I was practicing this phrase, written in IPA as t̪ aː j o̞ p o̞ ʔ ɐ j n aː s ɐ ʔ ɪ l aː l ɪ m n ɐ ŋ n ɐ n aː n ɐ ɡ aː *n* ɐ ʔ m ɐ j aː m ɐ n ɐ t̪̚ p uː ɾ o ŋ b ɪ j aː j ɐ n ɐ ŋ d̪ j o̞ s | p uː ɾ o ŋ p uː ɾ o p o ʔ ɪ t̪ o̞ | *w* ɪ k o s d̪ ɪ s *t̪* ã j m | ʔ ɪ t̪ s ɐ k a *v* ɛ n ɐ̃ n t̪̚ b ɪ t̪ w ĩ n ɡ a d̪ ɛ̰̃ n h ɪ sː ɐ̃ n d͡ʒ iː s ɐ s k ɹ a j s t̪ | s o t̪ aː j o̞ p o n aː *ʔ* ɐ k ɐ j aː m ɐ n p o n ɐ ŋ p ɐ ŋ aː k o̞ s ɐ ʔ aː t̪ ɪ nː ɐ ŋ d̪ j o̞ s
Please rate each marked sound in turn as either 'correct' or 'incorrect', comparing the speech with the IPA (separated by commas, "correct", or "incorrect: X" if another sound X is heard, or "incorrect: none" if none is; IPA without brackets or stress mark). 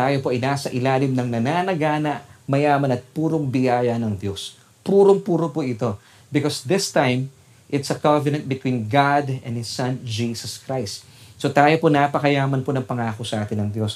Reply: correct, incorrect: b, correct, correct, incorrect: p